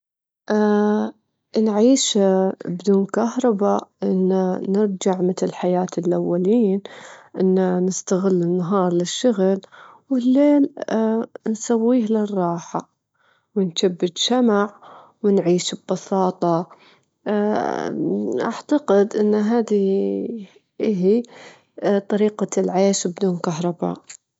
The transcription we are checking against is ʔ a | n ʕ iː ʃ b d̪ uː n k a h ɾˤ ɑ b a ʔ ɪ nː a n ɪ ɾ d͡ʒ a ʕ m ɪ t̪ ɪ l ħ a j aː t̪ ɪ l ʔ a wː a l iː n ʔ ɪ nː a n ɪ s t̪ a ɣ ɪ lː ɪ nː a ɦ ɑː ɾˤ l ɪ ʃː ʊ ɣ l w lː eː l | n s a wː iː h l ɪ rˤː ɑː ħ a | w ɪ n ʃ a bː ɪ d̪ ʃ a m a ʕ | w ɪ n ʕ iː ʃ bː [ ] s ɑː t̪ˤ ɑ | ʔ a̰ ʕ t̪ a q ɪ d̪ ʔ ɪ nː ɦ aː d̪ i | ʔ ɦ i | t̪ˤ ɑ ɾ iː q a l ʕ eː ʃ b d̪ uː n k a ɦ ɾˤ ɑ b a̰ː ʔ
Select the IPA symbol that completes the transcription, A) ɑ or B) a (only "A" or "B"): A